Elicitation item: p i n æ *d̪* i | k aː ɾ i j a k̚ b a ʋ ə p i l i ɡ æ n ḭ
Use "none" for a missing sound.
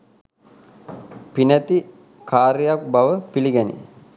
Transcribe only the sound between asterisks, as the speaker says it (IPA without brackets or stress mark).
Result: t̪